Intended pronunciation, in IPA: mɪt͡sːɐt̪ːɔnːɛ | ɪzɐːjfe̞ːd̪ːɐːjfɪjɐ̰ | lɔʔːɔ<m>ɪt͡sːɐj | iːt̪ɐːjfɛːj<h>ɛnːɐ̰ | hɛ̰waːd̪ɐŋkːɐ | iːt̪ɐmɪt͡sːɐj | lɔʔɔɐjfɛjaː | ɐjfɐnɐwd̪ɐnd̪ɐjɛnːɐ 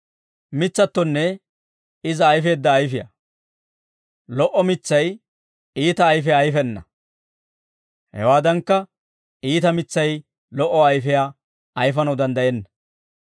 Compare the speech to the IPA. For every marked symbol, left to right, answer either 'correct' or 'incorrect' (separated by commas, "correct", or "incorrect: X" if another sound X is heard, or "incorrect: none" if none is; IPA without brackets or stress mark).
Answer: correct, incorrect: f